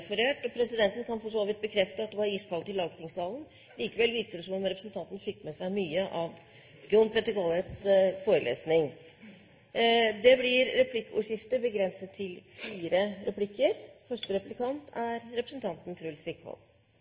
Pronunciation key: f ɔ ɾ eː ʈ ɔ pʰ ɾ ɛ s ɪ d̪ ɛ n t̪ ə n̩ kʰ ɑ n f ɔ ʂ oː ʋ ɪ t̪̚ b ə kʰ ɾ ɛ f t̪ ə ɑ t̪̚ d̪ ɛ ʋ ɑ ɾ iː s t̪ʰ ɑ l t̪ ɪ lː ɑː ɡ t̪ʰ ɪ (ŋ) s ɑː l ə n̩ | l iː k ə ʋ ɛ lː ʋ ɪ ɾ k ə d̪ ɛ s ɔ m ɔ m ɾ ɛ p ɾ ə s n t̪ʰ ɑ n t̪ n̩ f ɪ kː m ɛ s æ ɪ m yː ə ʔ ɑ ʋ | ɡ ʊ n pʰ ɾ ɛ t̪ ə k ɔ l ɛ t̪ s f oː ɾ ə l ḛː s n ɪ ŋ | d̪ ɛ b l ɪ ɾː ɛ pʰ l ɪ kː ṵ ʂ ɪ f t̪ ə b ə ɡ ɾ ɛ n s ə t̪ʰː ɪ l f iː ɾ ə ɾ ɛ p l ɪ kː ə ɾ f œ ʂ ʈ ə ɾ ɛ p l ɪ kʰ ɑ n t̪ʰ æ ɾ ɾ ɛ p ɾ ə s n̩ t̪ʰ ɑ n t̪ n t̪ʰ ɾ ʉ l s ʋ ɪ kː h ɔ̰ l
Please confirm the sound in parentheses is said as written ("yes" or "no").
yes